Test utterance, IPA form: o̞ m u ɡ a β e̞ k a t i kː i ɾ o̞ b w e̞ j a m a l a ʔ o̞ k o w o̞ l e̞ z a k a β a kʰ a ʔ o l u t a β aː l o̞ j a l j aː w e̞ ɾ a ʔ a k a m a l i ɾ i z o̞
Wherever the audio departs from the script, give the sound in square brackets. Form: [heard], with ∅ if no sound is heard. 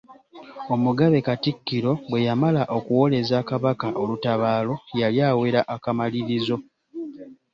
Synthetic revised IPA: o̞ m u ɡ a β e̞ k a t i kː i ɾ o̞ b w e̞ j a m a l a ʔ o̞ k [u] w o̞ l e̞ z a k a β a [k] a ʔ o l u t a β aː l o̞ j a l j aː w e̞ ɾ a ʔ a k a m a l i ɾ i z o̞